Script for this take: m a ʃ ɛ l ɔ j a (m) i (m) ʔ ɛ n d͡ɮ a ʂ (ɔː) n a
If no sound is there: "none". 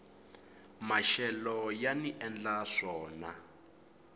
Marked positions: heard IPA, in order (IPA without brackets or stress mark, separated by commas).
n, none, ɔː